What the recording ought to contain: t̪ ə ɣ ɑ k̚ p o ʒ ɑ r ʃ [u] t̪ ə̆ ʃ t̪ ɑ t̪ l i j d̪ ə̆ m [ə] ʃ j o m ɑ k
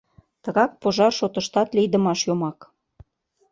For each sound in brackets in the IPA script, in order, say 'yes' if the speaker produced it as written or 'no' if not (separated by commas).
no, no